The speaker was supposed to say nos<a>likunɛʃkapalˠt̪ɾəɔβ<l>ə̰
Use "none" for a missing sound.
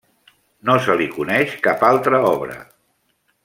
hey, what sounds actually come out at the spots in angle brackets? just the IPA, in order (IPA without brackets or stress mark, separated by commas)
ə, ɾ